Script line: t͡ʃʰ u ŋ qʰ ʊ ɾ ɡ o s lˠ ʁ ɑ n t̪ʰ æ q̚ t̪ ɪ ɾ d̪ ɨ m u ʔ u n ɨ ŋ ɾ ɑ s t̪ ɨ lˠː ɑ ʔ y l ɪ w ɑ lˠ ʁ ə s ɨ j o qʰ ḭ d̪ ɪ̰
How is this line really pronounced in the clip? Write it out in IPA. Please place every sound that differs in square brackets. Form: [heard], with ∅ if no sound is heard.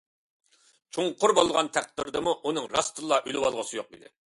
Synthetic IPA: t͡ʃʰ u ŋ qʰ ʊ ɾ [b] o [∅] lˠ ʁ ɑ n t̪ʰ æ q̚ t̪ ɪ ɾ d̪ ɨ m u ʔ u n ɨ ŋ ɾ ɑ s t̪ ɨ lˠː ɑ ʔ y l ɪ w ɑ lˠ ʁ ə s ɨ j o [q] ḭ d̪ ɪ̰